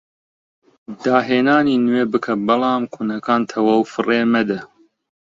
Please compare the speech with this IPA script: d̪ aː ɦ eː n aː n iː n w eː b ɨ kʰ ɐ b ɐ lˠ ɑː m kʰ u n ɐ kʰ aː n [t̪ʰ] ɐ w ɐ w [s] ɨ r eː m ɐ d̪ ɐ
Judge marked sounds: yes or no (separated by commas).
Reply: yes, no